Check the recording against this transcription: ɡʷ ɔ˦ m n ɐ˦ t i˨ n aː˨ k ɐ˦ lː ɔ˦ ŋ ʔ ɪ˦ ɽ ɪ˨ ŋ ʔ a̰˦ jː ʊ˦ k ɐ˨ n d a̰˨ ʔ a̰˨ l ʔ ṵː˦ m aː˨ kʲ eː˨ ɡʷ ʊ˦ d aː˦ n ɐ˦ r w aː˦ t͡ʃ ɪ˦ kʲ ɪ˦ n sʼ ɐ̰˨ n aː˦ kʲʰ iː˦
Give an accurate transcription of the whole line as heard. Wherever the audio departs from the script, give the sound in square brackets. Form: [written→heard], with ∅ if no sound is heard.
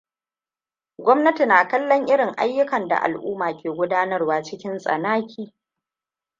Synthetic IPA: ɡʷ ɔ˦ m n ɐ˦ t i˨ n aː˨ k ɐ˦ lː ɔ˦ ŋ ʔ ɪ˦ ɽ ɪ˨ ŋ ʔ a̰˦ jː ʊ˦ k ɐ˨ n d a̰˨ ʔ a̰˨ l ʔ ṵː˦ m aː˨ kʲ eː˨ ɡʷ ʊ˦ d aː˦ n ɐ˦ r w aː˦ t͡ʃ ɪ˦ kʲ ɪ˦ n sʼ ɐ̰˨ n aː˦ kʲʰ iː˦